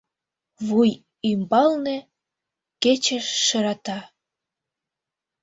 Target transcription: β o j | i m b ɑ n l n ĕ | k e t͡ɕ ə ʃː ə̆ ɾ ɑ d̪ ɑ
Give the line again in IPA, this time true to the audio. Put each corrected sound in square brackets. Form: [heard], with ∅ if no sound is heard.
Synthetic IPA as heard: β [u] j | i m b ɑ [∅] l n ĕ | k e t͡ɕ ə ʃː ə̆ ɾ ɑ [t̪] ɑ

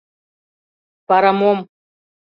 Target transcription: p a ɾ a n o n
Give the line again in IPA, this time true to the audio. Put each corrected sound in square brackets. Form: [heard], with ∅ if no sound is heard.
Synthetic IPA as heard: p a ɾ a [m] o [m]

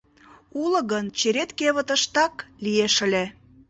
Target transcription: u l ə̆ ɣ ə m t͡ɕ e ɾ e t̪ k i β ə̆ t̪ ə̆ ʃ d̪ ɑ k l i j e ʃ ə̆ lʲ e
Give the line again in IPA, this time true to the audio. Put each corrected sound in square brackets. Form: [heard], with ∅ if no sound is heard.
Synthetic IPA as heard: u l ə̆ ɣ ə [n] t͡ɕ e ɾ e t̪ k [e] β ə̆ t̪ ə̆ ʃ [t̪] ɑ k l i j e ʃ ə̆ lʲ e

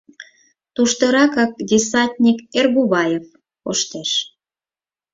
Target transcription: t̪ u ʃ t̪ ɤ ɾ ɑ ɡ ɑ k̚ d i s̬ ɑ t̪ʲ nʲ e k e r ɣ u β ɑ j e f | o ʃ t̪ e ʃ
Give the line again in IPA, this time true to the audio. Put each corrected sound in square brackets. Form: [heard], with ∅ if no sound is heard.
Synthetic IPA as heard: t̪ u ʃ t̪ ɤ ɾ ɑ [k] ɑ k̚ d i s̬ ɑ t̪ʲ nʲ [i] k e r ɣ u β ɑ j e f | o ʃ t̪ e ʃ

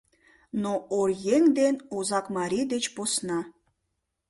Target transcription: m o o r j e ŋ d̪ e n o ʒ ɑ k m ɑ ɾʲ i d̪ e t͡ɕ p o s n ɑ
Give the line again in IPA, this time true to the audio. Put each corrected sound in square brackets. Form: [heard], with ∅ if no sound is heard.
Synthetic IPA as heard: [n] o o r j e ŋ d̪ e n o [z] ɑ k m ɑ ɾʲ i d̪ e t͡ɕ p o s n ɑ

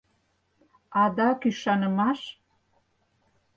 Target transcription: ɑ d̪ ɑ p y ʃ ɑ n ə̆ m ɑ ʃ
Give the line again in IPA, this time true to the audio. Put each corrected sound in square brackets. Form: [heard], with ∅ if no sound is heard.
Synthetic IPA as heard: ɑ d̪ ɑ [k] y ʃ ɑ n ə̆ m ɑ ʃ

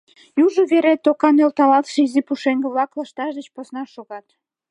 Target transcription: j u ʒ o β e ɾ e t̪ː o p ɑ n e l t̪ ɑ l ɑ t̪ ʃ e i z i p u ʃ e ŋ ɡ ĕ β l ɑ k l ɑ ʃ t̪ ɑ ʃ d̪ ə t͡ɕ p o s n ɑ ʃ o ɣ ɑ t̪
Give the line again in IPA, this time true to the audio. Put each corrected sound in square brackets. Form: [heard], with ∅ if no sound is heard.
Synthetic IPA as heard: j u ʒ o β e ɾ e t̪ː o [k] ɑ n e l t̪ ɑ l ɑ t̪ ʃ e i z i p u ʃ e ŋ ɡ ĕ β l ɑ k l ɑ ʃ t̪ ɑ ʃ d̪ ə t͡ɕ p o s n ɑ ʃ o ɣ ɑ t̪

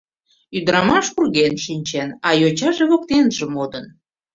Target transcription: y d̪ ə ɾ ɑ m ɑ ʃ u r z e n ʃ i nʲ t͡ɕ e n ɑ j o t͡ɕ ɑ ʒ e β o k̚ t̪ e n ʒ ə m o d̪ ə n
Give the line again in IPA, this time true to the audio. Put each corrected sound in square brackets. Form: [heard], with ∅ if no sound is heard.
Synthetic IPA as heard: y d̪ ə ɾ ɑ m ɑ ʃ u r [ɣ] e n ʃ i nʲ t͡ɕ e n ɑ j o t͡ɕ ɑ ʒ e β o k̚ t̪ e n ʒ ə m o d̪ ə n

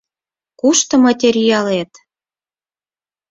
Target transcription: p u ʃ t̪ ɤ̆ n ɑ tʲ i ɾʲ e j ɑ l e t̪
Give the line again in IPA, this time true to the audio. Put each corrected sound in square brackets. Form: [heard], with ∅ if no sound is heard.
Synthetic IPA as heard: [k] u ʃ t̪ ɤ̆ [m] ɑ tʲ [e] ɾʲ [i] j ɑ l e t̪

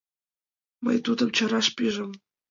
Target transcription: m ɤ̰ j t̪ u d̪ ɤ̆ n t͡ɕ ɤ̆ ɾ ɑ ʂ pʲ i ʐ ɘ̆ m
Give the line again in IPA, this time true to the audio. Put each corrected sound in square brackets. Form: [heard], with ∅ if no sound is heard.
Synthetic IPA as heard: m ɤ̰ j t̪ u d̪ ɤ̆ [m] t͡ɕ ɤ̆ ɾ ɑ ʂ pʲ i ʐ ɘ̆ m

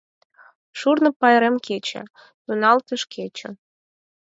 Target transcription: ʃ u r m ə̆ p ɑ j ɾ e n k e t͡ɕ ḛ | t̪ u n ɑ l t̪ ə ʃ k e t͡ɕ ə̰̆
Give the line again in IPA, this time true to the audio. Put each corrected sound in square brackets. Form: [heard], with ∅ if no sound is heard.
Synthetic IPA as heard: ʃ u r [n] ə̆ p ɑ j ɾ e [m] k e t͡ɕ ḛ | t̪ u n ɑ l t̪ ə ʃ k e t͡ɕ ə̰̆

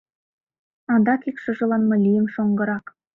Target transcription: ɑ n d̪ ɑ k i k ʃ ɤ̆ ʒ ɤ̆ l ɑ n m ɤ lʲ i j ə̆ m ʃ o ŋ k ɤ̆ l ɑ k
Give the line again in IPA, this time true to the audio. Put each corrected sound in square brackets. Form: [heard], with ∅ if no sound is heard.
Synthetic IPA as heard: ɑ n d̪ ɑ k i k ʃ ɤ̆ ʒ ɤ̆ l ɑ n m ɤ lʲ i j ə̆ m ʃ o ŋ [ɡ] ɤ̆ [ɾ] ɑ k

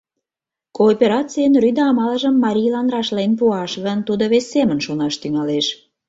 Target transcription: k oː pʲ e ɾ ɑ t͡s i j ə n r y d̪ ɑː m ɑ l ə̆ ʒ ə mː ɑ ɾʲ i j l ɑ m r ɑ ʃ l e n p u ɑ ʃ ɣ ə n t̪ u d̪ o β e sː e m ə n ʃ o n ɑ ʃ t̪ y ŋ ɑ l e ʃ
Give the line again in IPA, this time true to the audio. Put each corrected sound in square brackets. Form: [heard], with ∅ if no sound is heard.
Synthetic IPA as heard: k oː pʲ e ɾ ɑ t͡s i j ə n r y d̪ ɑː m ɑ l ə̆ ʒ ə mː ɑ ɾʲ i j l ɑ [n] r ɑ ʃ l e n p u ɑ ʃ ɣ ə n t̪ u d̪ o β e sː e m ə n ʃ o n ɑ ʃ t̪ y ŋ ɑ l e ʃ

